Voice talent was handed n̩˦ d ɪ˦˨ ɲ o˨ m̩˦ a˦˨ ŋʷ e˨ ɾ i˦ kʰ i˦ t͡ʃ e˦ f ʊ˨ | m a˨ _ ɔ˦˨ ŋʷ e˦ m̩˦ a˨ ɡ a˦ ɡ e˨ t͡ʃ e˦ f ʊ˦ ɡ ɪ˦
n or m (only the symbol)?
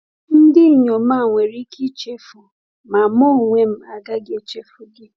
m